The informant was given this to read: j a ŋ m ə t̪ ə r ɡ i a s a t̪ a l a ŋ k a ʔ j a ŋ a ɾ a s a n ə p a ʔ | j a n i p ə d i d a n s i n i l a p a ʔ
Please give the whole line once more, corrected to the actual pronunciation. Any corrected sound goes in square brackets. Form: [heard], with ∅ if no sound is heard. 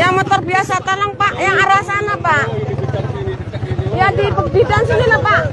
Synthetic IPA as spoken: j a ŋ m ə t̪ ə r [b] i a s a t̪ a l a ŋ [p] a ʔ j a ŋ a ɾ a s a n [a] p a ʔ | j a [d] i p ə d i d a n s i n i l a p a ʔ